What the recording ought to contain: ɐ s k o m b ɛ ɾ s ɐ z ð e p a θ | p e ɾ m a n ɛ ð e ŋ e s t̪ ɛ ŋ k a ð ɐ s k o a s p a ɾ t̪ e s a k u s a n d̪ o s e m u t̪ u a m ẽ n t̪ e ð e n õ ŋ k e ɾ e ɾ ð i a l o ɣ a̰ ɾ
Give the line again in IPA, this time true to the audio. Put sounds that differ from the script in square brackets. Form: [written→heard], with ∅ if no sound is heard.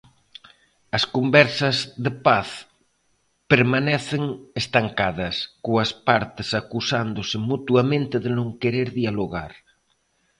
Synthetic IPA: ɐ s k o m b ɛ ɾ s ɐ z ð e p a θ | p e ɾ m a n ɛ [ð→θ] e ŋ e s t̪ [ɛ→a] ŋ k a ð ɐ s k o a s p a ɾ t̪ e s a k u s a n d̪ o s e m u t̪ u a m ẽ n t̪ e ð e n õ ŋ k e ɾ e ɾ ð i a l o ɣ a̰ ɾ